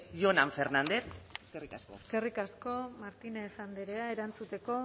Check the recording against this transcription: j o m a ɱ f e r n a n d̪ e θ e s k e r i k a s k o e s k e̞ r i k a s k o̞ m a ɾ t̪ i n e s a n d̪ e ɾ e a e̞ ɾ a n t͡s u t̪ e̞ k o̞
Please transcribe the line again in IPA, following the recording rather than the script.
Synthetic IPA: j o n a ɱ f e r n a n d̪ e θ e s k e r i k a s k o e s k e̞ r i k a s k o̞ m a ɾ t̪ i n e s a n d̪ e ɾ e a e̞ ɾ a n t͡s u t̪ e̞ k o̞

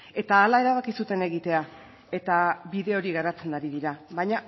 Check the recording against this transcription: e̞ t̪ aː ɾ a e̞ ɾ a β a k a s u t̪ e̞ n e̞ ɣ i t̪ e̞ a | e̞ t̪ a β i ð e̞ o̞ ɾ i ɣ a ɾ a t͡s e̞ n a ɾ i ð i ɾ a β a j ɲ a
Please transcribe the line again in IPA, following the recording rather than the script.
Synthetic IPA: e̞ t̪ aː l a e̞ ɾ a β a k i s u t̪ e̞ n e̞ ɣ i t̪ e̞ a | e̞ t̪ a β i ð e̞ o̞ ɾ i ɣ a ɾ a t͡s e̞ n a ɾ i ð i ɾ a β a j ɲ a

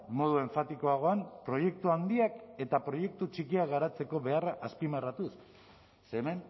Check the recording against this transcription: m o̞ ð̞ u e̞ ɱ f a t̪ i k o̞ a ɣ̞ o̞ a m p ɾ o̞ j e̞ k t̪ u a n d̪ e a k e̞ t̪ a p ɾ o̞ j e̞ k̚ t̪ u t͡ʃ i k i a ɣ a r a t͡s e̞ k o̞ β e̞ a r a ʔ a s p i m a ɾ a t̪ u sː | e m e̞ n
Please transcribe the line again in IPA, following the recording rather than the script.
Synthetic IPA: m o̞ ð̞ u e̞ ɱ f a t̪ i k o̞ a ɣ̞ o̞ a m p ɾ o̞ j e̞ k t̪ u a n d̪ i a k e̞ t̪ a p ɾ o̞ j e̞ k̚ t̪ u t͡ʃ i k i a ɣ a ɾ a t͡s e̞ k o̞ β e̞ a r a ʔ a s p i m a r a t̪ u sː | e m e̞ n

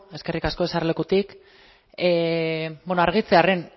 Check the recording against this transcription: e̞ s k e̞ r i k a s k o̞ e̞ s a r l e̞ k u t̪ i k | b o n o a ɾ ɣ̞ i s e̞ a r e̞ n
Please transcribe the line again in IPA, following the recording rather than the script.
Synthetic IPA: e̞ s k e̞ r i k a s k o̞ e̞ s a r l e̞ k u t̪ i k | b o n o a ɾ ɣ̞ i t͡s e̞ a r e̞ n

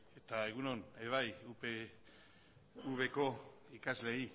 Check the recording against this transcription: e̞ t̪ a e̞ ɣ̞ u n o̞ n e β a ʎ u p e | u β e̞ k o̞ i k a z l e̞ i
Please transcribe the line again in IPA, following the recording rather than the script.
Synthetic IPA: e̞ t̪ a e̞ ɣ̞ u n o̞ n e β a j u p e | u β e̞ k o̞ i k a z l e̞ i

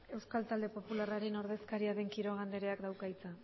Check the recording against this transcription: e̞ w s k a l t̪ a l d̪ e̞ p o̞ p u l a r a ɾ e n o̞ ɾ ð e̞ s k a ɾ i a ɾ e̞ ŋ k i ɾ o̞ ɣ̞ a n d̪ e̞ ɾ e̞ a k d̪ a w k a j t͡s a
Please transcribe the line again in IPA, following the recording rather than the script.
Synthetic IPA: e̞ w s k a l t̪ a l d̪ e̞ p o̞ p u l a r a ɾ e n o̞ ɾ ð e̞ s k a ɾ i a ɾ e̞ ŋ k i ɾ o̞ ɣ̞ a n d̪ e̞ ɾ e̞ a k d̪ a w k a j t͡s a

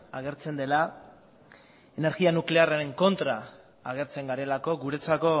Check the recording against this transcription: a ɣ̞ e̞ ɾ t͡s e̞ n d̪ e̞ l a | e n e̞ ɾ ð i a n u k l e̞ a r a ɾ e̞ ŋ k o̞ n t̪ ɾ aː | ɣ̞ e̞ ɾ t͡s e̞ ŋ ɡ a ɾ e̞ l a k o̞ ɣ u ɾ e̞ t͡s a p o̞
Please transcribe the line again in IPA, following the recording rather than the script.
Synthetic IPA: a ɣ̞ e̞ ɾ t͡s e̞ n d̪ e̞ l a | e n e̞ ɾ ɣ i a n u k l e̞ a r a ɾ e̞ ŋ k o̞ n t̪ ɾ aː | ɣ̞ e̞ ɾ t͡s e̞ ŋ ɡ a ɾ e̞ l a k o̞ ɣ u ɾ e̞ t͡s a k o̞

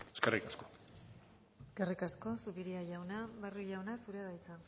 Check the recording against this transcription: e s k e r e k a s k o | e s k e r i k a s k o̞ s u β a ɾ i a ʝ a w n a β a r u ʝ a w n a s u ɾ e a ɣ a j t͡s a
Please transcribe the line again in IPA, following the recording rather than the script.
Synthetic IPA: e s k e r i k a s k o | e s k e r i k a s k o̞ s u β i ɾ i a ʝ a w n a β a r u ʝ a w n a s u ɾ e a ð a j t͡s a

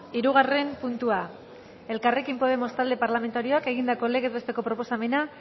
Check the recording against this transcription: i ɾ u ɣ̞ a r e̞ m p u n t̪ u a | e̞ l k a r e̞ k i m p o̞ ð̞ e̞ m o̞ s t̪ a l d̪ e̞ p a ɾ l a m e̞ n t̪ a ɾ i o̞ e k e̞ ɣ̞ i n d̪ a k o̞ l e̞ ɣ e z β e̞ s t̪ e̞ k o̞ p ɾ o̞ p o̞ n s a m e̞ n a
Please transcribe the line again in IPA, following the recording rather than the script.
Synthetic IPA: i ɾ u ɣ̞ a r e̞ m p u n t̪ u a | e̞ l k a r e̞ k i m p o̞ ð̞ e̞ m o̞ s t̪ a l d̪ e̞ p a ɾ l a m e̞ n t̪ a ɾ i o̞ a k e̞ ɣ̞ i n d̪ a k o̞ l e̞ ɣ e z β e̞ s t̪ e̞ k o̞ p ɾ o̞ p o̞ s a m e̞ n a

